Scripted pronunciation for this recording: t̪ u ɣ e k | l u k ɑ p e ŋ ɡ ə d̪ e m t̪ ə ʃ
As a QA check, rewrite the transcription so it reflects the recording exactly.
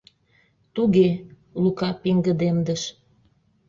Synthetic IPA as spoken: t̪ u ɣ e | l u k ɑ p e ŋ ɡ ə d̪ e m d̪ ə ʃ